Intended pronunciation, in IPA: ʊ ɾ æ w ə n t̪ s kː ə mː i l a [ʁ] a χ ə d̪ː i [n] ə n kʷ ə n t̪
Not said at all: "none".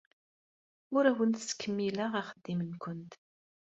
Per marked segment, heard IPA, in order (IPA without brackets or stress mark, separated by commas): ʁ, m